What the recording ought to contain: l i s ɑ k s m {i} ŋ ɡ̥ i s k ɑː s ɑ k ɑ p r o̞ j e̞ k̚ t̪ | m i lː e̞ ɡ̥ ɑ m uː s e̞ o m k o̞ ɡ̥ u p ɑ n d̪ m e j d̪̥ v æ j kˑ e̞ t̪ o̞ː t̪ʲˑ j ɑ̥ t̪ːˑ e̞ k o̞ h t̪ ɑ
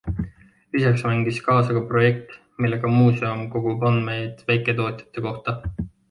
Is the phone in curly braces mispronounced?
yes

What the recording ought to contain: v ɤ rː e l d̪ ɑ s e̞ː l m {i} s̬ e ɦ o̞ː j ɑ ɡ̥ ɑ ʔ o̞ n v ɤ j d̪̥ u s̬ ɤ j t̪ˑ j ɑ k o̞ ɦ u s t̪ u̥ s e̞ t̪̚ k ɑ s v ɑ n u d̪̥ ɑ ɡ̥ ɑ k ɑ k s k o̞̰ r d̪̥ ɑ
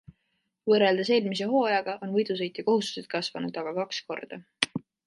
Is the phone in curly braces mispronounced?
no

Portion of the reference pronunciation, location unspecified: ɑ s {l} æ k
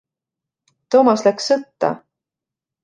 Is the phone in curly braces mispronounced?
no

